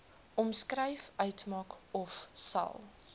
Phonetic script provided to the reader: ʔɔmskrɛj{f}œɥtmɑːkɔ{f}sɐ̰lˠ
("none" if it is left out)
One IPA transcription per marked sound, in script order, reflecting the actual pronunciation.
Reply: f, f

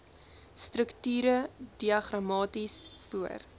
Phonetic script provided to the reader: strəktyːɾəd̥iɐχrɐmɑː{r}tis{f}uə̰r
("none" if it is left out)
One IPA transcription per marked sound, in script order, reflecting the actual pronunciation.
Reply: none, f

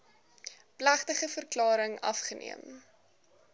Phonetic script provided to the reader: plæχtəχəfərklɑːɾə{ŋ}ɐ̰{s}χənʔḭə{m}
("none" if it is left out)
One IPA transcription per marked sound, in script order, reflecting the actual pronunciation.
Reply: ŋ, f, m

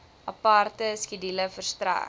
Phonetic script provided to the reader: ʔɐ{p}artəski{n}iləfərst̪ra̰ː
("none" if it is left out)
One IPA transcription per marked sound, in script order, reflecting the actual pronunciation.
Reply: p, d

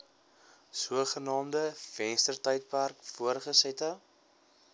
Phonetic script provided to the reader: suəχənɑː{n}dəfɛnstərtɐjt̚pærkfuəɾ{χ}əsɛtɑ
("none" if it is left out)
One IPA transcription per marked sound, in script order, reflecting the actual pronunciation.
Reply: m, χ

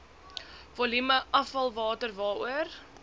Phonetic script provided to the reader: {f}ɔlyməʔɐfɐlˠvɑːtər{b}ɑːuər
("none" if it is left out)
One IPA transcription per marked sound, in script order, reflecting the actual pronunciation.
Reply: v, v

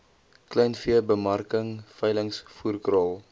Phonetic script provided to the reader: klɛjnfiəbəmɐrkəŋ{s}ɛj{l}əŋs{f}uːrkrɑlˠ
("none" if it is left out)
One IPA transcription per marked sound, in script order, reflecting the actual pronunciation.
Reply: f, l, f

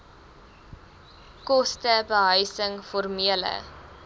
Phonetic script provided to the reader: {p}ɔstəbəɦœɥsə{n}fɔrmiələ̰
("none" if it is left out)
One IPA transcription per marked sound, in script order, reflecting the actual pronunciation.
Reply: k, ŋ

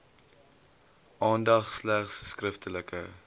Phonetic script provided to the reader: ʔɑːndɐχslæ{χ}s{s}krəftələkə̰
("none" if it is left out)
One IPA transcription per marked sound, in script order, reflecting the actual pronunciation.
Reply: χ, s

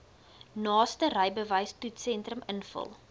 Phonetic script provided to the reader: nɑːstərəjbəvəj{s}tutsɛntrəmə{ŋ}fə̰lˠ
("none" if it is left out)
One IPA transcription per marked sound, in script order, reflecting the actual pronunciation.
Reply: s, n

